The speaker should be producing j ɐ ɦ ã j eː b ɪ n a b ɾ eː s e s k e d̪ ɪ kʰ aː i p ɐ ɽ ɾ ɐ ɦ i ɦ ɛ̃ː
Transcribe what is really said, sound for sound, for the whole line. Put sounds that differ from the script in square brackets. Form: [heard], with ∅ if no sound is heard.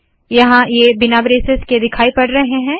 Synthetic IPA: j ɐ ɦ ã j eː b ɪ n a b ɾ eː s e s k e d̪ ɪ kʰ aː i p ɐ ɽ ɾ ɐ ɦ [e] ɦ ɛ̃ː